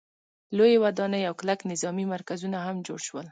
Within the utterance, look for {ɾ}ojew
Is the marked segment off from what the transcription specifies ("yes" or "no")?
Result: yes